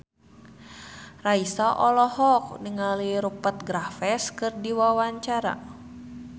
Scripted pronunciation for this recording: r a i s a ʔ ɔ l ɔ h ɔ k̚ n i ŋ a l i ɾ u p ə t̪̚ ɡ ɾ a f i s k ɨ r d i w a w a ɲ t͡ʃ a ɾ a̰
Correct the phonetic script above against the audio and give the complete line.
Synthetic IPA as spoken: r a i s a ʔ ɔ l ɔ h ɔ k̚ n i ŋ a l i ɾ u p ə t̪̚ ɡ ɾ a f ɛ s k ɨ r d i w a w a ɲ t͡ʃ a ɾ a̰